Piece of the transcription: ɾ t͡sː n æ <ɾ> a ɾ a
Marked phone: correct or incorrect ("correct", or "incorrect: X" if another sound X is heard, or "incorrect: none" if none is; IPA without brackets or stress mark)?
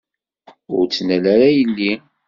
incorrect: l